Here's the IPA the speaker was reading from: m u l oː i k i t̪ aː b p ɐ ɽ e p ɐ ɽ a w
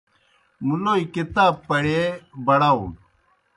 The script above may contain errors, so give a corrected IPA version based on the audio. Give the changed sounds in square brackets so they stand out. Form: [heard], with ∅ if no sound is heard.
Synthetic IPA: m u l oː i k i t̪ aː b p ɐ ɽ e [b] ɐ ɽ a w